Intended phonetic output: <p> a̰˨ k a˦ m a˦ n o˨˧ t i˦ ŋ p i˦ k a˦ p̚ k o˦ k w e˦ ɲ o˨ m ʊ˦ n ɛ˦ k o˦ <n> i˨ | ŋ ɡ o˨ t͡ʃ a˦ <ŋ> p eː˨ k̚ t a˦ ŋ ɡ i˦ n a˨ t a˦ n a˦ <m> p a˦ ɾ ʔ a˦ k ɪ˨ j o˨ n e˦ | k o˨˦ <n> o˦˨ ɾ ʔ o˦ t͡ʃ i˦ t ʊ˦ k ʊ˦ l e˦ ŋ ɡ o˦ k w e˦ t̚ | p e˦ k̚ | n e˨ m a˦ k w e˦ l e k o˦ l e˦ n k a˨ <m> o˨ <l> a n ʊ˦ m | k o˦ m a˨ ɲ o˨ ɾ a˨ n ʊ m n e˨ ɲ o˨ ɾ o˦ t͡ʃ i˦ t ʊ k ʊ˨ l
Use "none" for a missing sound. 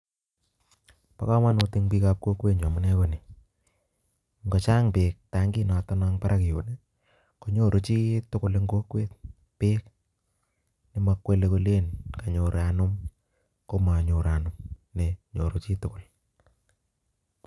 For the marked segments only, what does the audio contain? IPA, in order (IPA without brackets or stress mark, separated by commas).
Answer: p, n, ŋ, ŋ, ɲ, ɲ, ɾ